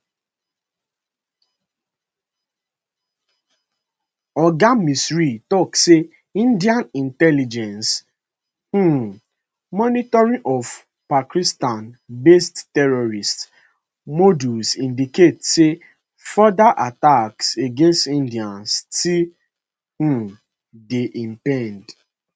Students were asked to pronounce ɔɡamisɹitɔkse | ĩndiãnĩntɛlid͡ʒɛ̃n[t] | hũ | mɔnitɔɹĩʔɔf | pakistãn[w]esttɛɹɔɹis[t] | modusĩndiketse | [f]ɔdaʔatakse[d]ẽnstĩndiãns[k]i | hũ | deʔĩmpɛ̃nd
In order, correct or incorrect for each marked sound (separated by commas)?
incorrect, incorrect, correct, correct, incorrect, incorrect